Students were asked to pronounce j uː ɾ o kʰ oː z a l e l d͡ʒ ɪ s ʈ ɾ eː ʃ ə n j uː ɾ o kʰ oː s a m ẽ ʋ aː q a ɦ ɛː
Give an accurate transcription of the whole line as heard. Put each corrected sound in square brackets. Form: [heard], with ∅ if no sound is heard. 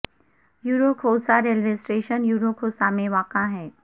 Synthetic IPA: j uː ɾ o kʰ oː [s] a [ɾ] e l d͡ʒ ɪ s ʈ ɾ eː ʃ ə n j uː ɾ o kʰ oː s a m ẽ ʋ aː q a ɦ ɛː